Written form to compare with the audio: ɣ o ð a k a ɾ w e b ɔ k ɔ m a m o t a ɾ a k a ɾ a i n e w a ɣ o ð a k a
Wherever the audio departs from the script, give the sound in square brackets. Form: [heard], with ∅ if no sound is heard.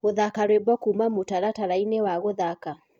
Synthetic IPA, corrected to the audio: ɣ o ð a k a ɾ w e b ɔ k [u] m a m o t a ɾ a [t] a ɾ a i n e w a ɣ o ð a k a